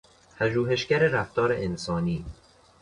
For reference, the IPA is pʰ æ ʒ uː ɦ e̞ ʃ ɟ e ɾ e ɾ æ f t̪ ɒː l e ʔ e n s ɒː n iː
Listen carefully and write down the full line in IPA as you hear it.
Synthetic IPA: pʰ æ ʒ uː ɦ e̞ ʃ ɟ æ ɾ e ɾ æ f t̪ ɒː ɾ e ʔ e n s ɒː n iː